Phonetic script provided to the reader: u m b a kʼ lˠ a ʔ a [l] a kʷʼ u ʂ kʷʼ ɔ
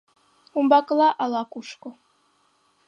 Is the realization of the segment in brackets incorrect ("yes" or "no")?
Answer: no